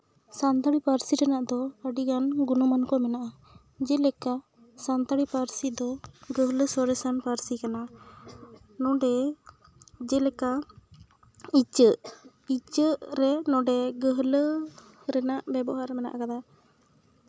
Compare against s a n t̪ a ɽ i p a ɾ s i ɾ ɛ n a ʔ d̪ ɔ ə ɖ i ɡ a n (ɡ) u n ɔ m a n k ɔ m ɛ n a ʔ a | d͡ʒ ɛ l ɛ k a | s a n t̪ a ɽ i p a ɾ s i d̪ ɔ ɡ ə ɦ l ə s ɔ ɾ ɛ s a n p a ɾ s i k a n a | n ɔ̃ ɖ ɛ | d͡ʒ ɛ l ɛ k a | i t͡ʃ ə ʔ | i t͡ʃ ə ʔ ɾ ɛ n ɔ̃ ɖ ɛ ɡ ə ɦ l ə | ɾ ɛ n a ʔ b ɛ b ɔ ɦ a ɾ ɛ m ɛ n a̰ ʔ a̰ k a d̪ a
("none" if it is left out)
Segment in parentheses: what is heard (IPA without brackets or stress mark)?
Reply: ɡ